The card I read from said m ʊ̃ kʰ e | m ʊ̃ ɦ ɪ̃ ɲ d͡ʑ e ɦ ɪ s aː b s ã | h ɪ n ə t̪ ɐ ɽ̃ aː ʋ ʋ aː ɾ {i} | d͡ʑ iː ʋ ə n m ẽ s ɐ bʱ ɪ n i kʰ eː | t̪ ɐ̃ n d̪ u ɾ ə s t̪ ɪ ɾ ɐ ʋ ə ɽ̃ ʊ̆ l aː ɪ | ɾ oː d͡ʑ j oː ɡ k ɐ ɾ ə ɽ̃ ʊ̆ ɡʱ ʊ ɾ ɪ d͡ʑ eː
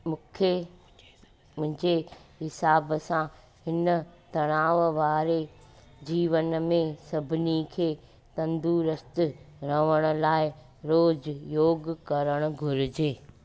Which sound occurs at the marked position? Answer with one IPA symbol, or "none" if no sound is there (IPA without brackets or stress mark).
e